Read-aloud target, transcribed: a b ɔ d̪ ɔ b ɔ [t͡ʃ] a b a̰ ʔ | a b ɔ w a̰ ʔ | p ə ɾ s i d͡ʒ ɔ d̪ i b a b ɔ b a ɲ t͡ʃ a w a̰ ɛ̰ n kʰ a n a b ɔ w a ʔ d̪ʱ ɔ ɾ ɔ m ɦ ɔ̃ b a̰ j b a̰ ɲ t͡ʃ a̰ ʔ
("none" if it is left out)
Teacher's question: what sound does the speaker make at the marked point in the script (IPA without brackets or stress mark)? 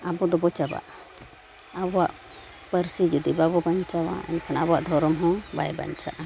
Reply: t͡ʃ